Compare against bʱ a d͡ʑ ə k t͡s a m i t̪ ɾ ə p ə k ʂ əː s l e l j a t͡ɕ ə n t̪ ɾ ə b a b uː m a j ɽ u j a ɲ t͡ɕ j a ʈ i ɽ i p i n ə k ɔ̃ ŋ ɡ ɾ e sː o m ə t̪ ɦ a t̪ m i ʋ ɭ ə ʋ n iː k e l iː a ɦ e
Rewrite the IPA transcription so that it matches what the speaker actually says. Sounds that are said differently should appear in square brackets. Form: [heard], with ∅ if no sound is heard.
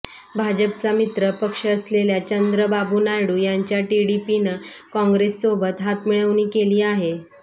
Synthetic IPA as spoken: bʱ a d͡ʑ ə [p] t͡s a m i t̪ ɾ ə p ə k ʂ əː s l e l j a t͡ɕ ə n [d̪] ɾ ə b a b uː [n] a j ɽ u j a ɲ t͡ɕ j a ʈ i ɽ i p i n ə k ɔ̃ ŋ ɡ ɾ e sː o [b] ə t̪ ɦ a t̪ m i [∅] ɭ ə ʋ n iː k e l iː a ɦ e